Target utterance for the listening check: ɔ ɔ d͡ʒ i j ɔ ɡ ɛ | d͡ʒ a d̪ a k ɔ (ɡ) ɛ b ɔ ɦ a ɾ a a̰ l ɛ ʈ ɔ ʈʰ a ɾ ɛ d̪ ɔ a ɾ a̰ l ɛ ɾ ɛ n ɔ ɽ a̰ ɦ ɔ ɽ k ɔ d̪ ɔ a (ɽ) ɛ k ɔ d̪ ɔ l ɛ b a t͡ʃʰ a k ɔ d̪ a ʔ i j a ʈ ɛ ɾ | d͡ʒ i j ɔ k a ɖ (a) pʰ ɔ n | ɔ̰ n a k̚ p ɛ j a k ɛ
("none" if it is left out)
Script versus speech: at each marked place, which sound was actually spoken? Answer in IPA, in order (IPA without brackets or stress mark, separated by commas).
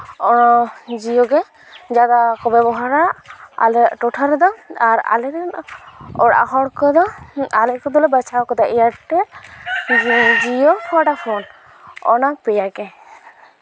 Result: b, l, a